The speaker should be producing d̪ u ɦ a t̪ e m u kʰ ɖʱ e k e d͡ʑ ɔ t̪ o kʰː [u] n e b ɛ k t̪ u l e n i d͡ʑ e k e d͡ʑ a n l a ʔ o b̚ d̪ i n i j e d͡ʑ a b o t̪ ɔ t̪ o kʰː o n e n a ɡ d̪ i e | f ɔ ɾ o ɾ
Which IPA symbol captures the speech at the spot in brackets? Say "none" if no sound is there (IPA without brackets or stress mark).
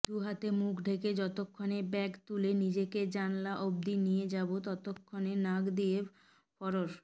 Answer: o